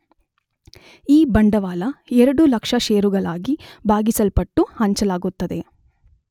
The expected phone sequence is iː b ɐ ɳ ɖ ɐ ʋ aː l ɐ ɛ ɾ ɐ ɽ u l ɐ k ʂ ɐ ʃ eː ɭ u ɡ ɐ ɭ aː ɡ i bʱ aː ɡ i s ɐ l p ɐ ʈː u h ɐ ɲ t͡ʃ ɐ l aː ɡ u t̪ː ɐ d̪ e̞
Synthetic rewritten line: iː b ɐ ɳ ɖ ɐ ʋ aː l ɐ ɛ ɾ ɐ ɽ u l ɐ k ʂ ɐ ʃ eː ɾ u ɡ ɐ ɭ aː ɡ i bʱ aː ɡ i s ɐ l p ɐ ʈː u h ɐ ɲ t͡ʃ ɐ l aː ɡ u t̪ː ɐ d̪ e̞